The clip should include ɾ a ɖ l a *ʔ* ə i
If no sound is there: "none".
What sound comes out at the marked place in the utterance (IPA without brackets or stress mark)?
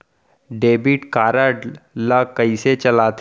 k